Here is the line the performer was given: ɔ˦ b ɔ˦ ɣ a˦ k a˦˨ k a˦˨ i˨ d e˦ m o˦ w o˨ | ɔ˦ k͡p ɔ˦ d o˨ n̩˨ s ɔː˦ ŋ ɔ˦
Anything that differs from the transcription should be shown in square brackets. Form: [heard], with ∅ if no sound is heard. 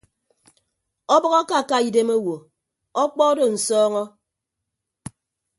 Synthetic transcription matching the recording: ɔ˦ b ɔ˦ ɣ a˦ k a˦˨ k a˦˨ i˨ d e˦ m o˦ w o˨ | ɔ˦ k͡p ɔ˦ d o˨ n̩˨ s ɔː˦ ŋ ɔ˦